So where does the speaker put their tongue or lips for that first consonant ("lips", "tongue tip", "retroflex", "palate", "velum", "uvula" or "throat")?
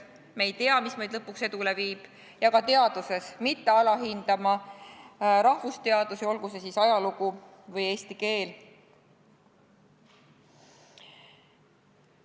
lips